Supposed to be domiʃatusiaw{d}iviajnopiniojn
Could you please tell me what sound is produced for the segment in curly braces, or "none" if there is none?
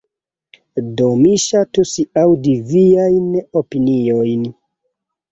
d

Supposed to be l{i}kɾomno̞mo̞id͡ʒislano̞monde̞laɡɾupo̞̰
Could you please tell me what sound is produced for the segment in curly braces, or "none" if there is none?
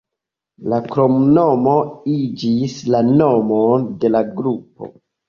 a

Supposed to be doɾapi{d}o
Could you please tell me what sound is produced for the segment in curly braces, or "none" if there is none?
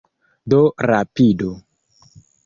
d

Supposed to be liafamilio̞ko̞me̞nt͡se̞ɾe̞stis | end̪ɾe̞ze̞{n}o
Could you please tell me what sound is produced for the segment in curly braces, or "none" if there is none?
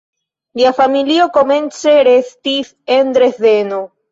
n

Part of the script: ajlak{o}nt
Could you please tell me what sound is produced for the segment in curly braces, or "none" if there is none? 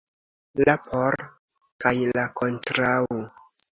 o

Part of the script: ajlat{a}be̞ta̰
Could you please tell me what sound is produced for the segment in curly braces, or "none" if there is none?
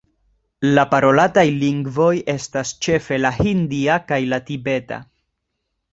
i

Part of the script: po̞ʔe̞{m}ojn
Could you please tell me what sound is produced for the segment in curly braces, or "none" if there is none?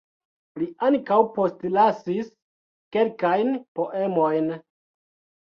m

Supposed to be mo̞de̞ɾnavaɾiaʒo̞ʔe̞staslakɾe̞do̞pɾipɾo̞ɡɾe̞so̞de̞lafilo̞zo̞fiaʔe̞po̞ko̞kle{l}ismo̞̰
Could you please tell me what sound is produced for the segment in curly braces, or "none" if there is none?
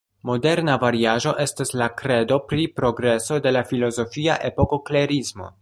ɾ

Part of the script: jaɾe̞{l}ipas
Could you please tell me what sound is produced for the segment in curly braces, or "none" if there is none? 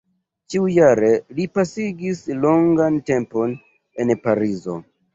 l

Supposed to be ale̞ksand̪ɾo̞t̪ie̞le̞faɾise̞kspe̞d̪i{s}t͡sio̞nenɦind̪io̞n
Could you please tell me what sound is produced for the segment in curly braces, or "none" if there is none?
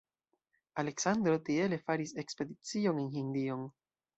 none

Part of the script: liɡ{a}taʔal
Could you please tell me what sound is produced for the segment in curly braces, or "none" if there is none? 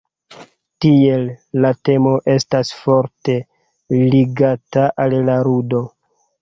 a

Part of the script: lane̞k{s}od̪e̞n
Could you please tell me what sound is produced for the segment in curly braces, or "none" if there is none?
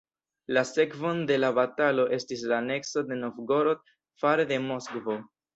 s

